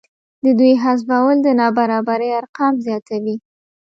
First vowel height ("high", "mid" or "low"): mid